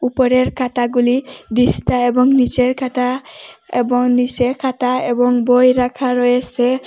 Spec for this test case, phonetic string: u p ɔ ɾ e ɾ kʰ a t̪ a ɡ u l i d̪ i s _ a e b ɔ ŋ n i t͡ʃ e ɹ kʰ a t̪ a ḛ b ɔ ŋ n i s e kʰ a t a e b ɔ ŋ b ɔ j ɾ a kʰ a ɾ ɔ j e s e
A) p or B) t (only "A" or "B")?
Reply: B